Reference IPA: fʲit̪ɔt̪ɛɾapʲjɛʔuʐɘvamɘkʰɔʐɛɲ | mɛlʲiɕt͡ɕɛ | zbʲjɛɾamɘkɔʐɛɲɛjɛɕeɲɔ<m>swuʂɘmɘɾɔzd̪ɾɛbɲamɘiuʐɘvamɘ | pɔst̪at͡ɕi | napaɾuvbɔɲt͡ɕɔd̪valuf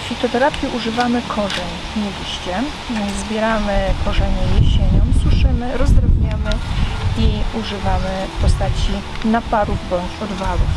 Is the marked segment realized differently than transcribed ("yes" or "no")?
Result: no